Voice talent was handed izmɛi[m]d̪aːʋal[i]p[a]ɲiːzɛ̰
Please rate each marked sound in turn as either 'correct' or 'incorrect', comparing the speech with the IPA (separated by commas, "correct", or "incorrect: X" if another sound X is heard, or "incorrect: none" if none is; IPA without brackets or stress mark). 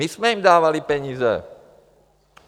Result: correct, correct, incorrect: ɛ